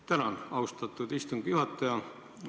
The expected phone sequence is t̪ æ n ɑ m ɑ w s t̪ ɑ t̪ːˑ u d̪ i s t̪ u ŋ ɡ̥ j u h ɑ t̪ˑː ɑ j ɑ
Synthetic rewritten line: t̪ æ n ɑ n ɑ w s t̪ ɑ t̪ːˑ u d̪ i s t̪ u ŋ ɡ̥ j u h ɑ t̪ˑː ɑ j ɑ